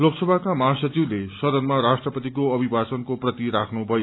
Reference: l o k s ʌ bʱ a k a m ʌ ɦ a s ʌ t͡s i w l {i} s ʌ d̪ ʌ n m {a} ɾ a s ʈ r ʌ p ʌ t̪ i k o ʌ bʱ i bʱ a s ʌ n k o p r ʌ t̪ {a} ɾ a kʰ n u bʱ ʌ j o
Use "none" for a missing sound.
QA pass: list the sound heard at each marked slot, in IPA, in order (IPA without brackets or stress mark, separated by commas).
e, a, i